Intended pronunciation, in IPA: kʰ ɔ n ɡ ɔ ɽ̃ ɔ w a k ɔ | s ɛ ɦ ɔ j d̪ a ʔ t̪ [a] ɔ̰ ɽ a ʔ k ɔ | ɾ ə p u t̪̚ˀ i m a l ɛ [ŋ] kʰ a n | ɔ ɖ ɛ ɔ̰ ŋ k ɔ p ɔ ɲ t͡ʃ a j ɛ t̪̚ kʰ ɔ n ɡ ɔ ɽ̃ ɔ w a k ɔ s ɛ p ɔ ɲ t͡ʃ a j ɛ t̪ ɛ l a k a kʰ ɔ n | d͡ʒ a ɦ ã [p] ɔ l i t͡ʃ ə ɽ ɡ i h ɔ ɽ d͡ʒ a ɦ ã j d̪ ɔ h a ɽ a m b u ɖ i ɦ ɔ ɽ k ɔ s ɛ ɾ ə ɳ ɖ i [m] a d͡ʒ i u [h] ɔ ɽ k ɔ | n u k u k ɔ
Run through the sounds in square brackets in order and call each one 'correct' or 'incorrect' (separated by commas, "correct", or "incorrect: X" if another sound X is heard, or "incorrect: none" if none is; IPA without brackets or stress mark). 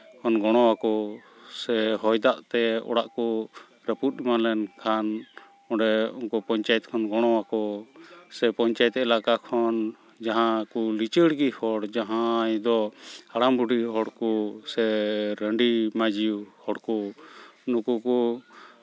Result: incorrect: ɛ, incorrect: n, incorrect: k, correct, correct